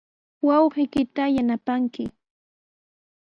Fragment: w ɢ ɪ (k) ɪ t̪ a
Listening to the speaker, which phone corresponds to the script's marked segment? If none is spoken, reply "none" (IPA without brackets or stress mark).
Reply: k